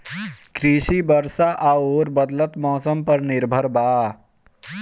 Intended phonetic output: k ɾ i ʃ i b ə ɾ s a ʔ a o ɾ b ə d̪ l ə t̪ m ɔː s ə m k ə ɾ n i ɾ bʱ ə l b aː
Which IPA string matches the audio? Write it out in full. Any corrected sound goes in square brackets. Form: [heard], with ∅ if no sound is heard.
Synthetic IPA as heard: k ɾ i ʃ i b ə ɾ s a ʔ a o ɾ b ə d̪ l ə t̪ m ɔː s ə m [p] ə ɾ n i ɾ bʱ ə [ɾ] b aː